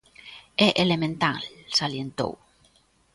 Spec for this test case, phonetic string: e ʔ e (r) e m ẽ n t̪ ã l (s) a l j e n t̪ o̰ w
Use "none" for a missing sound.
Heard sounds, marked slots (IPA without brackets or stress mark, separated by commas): l, s